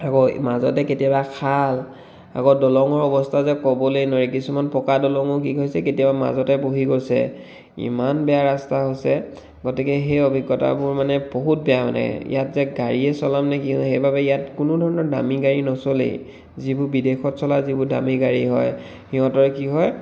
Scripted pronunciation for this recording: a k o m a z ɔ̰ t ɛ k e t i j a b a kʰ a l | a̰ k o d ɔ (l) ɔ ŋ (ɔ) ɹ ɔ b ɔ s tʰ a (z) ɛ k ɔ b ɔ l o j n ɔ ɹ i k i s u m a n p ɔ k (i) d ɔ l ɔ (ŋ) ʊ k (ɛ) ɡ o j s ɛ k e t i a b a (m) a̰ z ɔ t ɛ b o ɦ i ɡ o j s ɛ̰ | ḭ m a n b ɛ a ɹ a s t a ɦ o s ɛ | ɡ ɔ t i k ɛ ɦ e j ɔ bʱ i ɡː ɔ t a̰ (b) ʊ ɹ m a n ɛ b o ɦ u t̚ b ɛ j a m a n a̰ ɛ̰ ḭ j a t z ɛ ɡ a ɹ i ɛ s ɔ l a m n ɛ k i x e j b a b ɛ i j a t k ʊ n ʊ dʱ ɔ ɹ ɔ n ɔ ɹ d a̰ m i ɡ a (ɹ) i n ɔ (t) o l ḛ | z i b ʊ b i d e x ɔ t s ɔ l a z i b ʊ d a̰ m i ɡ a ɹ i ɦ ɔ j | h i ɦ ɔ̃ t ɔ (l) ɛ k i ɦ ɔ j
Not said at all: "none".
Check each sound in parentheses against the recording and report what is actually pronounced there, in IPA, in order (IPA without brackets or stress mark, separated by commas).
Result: l, ɔ, z, a, ŋ, i, m, b, ɹ, s, ɹ